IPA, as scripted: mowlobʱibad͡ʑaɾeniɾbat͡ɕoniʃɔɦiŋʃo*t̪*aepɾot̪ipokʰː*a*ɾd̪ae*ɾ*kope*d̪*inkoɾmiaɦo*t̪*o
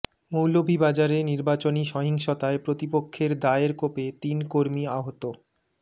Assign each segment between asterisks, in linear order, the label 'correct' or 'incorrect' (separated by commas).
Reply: correct, incorrect, correct, incorrect, correct